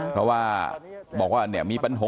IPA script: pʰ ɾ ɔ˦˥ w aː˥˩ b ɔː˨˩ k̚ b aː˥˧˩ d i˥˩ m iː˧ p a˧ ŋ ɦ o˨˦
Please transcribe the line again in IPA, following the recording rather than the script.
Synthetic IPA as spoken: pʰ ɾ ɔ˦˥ w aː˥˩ b ɔː˨˩ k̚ w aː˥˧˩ n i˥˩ m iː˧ p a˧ n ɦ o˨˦

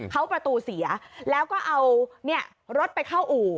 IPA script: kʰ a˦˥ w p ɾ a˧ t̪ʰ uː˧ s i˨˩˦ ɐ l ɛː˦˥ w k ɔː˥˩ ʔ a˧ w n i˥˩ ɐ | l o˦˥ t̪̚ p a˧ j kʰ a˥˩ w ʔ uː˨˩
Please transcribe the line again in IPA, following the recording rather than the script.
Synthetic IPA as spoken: kʰ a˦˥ w p ɾ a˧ t̪ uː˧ s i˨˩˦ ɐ l ɛː˦˥ w k ɔː˥˩ ʔ a˧ w n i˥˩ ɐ | ɾ o˦˥ t̪̚ p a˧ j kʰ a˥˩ w ʔ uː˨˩

